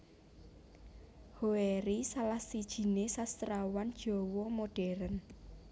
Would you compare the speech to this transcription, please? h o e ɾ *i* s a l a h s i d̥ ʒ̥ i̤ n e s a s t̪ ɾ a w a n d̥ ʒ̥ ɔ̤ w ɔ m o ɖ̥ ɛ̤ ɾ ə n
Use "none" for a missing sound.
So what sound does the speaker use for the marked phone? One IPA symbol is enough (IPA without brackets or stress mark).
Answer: i